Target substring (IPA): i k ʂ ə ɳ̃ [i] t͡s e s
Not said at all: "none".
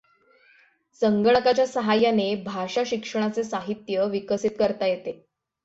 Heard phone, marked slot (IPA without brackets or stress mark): a